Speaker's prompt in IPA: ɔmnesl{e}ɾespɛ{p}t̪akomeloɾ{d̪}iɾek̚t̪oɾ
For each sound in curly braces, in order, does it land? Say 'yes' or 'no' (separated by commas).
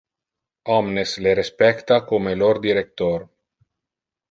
yes, no, yes